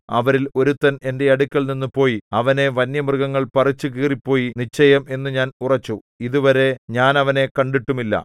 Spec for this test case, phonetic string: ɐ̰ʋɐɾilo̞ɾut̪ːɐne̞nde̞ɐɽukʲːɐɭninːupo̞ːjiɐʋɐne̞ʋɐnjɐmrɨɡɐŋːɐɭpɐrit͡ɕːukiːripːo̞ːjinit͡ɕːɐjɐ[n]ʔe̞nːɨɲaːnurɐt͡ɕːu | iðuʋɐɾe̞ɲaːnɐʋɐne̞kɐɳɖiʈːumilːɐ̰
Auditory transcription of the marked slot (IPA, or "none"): m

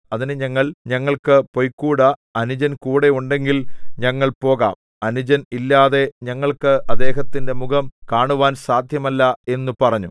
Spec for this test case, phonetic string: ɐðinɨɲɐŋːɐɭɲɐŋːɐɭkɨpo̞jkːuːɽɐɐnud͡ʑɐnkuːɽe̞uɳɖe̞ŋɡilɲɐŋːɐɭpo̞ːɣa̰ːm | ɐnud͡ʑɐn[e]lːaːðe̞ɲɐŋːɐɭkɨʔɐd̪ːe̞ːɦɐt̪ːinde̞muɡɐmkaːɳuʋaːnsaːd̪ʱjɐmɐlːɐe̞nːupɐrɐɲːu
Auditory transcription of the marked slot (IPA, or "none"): i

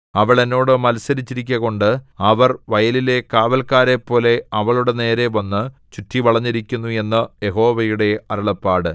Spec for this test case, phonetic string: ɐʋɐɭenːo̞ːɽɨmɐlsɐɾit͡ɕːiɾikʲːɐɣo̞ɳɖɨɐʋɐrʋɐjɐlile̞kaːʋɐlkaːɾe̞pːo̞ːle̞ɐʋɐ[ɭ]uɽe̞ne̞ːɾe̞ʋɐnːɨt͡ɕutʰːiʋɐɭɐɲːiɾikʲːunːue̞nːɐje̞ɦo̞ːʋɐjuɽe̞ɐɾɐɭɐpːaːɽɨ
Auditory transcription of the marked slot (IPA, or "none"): ɭ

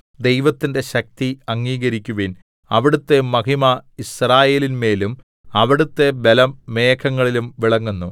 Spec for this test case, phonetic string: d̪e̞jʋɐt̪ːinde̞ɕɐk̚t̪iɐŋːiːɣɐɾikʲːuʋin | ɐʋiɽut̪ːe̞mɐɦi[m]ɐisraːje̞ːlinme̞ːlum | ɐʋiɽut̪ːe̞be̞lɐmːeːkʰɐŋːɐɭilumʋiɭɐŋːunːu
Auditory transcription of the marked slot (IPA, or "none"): m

